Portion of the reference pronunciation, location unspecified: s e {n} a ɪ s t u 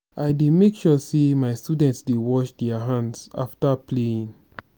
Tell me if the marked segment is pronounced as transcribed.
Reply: no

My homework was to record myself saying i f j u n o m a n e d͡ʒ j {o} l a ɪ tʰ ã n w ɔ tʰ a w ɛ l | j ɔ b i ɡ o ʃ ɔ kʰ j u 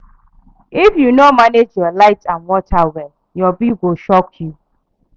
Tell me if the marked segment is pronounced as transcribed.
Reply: no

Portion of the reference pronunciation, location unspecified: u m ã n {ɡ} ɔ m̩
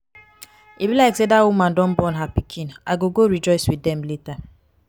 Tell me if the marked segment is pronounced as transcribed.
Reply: no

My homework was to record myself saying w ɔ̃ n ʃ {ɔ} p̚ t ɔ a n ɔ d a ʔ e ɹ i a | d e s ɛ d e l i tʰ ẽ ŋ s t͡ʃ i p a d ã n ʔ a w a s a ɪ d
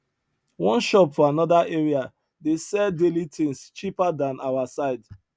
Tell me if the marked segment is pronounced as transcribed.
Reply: yes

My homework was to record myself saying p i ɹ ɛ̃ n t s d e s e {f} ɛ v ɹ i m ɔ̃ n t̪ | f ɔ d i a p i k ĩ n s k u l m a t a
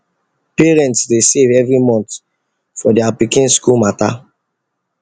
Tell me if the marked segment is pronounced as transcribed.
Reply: no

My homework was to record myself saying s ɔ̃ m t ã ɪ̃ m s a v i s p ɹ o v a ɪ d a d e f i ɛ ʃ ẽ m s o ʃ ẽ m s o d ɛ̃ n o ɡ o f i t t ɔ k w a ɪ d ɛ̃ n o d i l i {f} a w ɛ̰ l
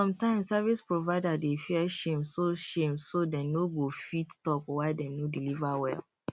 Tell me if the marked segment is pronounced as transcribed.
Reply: no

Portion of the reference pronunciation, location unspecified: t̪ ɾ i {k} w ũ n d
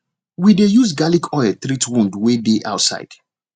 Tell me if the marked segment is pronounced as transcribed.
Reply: no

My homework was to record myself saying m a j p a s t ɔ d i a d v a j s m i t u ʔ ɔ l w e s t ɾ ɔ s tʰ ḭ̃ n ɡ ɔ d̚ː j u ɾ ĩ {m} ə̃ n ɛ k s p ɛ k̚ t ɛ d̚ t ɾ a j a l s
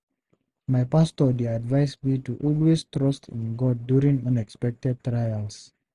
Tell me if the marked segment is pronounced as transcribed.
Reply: no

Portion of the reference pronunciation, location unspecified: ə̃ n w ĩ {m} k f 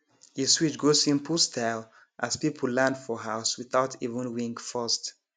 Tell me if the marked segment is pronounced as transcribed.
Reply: no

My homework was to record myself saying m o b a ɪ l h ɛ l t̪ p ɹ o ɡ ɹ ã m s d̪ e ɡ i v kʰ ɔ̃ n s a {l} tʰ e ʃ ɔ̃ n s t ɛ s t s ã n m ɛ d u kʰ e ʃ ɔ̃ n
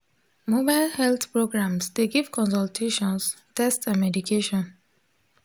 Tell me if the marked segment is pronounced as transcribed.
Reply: yes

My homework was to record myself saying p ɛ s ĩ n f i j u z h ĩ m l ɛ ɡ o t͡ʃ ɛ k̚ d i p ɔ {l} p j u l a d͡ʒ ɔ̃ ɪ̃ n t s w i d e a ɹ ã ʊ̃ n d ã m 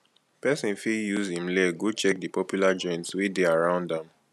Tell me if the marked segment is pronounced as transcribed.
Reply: no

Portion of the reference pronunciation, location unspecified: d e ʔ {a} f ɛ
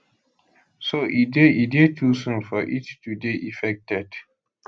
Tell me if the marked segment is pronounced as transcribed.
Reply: no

